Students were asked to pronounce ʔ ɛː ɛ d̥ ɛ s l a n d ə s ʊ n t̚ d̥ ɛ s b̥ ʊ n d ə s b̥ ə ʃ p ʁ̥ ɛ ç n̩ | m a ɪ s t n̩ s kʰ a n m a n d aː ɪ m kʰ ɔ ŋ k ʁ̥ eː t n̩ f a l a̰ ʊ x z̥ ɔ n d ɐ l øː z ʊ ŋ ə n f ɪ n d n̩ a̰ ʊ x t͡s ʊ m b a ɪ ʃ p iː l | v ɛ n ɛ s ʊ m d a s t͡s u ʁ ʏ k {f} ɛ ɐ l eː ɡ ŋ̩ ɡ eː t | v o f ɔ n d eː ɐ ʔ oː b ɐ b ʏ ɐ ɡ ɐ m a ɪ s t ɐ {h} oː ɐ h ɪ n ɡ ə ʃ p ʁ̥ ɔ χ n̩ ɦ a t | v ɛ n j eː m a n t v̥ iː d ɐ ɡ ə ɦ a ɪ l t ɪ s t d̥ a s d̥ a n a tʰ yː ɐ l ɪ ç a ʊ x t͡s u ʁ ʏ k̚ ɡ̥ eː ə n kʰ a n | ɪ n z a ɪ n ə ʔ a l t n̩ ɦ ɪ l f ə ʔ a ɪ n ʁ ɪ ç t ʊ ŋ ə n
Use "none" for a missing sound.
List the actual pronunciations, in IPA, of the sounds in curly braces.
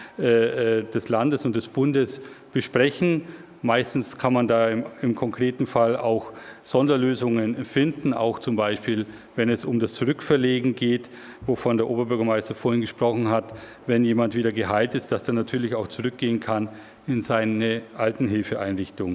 f, f

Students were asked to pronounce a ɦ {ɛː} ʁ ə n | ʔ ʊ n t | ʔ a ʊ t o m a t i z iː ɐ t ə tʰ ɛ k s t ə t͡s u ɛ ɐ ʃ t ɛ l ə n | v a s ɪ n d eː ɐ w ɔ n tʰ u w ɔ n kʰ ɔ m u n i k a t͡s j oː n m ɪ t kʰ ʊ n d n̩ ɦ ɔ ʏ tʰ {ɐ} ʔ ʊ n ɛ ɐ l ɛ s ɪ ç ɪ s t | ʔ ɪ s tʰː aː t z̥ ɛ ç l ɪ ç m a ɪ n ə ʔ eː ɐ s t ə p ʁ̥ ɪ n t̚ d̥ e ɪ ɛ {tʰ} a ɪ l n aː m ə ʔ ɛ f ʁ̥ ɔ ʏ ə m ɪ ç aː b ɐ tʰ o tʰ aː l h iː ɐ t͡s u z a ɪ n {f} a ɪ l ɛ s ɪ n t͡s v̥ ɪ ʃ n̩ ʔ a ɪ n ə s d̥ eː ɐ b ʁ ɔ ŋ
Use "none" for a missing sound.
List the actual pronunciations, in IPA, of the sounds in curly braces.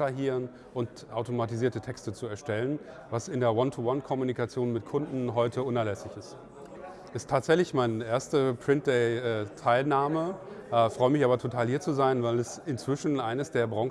iː, ə, tʰ, v

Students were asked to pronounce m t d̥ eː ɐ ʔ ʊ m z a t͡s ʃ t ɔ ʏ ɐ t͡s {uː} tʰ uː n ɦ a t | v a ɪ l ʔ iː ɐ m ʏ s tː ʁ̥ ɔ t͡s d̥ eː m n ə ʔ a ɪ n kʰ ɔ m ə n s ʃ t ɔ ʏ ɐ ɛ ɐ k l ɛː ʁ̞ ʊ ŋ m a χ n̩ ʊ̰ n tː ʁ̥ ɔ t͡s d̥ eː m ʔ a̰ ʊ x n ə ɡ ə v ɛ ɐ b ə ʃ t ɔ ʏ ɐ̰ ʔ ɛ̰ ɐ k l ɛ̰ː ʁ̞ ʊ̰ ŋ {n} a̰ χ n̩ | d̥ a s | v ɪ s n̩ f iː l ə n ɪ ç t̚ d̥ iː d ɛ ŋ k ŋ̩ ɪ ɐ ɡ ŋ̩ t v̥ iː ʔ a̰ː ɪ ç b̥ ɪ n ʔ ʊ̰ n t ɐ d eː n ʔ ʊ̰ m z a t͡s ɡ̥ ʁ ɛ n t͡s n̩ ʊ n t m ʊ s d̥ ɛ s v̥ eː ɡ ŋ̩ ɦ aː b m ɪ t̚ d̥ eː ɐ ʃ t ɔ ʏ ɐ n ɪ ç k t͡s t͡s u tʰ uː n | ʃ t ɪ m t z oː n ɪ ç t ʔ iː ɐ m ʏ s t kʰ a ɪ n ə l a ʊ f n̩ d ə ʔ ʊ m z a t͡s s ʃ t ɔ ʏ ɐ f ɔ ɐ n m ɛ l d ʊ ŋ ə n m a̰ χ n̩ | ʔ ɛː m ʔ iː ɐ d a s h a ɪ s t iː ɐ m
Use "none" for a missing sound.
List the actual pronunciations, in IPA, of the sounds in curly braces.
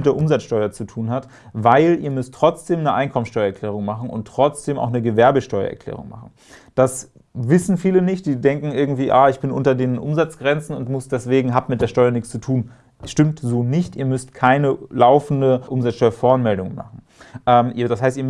u, m

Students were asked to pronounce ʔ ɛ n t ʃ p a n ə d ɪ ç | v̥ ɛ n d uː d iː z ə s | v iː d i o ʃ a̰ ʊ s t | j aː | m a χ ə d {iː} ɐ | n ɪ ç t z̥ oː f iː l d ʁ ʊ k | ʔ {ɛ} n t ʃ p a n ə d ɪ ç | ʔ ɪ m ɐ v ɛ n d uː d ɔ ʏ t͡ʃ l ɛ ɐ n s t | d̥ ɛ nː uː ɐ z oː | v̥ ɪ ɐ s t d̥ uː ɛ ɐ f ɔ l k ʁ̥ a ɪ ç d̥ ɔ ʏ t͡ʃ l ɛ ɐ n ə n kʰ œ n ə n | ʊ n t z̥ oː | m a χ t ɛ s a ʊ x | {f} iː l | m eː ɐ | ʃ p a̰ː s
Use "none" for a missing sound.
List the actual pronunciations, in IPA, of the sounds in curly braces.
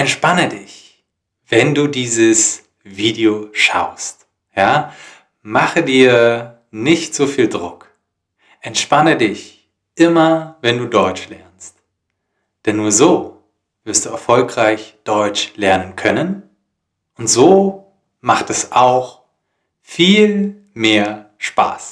iː, ɛ, f

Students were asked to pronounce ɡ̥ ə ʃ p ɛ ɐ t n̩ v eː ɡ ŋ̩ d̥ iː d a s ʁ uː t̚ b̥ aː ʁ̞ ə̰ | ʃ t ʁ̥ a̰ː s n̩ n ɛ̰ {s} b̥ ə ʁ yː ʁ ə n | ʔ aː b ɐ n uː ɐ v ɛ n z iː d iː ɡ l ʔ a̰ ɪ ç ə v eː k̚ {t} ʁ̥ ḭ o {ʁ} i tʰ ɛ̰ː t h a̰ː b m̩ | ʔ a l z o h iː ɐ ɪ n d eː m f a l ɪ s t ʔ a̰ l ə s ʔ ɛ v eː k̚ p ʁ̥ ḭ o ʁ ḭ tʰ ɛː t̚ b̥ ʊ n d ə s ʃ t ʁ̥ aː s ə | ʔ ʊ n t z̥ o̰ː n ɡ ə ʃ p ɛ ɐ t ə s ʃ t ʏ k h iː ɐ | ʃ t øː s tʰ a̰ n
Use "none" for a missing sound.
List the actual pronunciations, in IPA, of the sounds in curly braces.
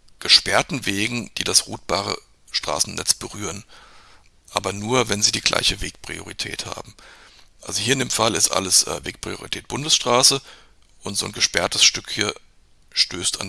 t͡s, p, ʁ

